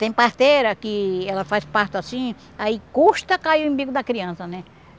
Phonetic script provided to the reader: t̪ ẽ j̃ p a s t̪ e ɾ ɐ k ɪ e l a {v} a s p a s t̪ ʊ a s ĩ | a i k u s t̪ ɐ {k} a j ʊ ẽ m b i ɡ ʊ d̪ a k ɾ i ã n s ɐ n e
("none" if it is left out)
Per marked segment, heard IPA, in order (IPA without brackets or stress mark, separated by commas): f, k